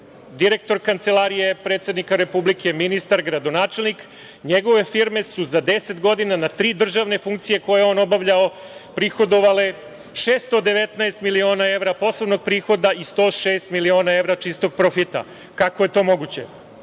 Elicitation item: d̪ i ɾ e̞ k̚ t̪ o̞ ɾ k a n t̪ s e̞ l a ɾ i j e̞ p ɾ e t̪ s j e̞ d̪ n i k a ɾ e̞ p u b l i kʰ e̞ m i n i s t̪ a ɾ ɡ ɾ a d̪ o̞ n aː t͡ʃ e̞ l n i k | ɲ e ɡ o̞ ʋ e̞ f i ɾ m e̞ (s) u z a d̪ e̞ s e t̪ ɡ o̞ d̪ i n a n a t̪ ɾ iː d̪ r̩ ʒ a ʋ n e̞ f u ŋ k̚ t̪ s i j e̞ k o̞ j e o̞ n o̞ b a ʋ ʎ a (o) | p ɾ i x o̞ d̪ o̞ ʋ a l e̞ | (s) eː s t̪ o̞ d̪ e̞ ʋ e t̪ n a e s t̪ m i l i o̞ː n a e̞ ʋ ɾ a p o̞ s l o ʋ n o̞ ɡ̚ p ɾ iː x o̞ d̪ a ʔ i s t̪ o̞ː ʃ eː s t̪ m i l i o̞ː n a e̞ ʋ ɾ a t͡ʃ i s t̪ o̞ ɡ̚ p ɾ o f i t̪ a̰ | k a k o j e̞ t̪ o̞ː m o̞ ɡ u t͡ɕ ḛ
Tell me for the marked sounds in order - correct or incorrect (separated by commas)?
correct, correct, incorrect